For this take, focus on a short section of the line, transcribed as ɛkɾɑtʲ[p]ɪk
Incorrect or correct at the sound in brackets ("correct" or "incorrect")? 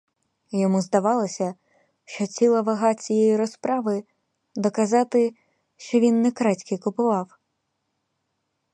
incorrect